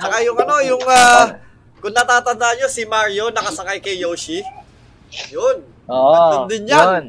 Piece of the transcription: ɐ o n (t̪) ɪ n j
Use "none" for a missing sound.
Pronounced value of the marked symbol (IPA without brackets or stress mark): d̪